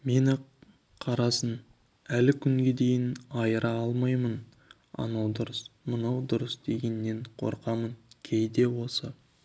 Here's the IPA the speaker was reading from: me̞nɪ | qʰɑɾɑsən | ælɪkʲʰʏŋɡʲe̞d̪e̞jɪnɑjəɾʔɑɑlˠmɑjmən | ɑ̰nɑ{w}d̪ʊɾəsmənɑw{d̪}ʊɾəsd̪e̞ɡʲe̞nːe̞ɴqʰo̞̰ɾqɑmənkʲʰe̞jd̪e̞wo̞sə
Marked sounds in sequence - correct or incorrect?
correct, correct

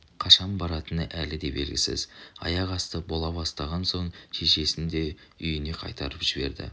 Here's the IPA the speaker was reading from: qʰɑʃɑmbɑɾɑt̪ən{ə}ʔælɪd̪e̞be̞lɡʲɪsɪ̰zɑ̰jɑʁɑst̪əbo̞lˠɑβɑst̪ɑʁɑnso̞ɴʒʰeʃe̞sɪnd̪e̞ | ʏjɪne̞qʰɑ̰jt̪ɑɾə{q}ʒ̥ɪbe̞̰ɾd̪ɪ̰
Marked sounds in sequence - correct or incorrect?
correct, incorrect

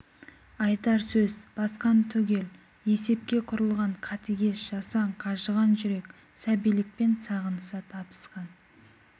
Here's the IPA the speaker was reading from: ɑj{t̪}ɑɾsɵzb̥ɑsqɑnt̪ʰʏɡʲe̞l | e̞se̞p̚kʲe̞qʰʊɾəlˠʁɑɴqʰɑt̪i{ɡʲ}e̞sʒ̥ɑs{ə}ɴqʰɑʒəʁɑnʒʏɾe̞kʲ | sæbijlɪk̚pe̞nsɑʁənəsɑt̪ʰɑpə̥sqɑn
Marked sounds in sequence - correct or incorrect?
correct, correct, incorrect

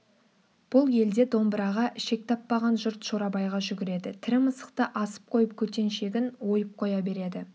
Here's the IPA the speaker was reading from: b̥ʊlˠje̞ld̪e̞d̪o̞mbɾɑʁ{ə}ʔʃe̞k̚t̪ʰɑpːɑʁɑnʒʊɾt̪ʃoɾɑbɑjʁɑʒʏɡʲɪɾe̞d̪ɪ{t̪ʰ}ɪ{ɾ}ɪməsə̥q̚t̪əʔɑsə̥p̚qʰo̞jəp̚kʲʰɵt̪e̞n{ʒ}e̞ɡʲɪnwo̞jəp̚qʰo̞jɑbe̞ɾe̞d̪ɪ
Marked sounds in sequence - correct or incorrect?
incorrect, correct, correct, incorrect

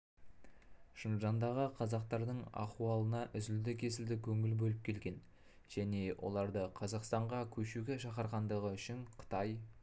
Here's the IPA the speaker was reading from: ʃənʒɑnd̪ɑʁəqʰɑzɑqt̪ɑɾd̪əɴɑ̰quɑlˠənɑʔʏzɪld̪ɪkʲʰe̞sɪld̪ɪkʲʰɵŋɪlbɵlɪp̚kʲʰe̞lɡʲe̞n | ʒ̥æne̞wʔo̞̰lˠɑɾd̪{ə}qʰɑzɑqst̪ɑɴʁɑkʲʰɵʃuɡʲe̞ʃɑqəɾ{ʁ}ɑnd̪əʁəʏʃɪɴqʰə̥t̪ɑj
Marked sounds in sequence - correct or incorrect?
correct, correct

